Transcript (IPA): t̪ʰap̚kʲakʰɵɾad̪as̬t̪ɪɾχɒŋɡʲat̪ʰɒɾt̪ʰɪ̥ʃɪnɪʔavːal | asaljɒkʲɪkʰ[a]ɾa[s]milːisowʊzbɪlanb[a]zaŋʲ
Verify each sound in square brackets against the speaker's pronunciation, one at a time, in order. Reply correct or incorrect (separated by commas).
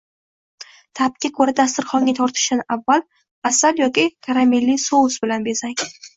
correct, incorrect, incorrect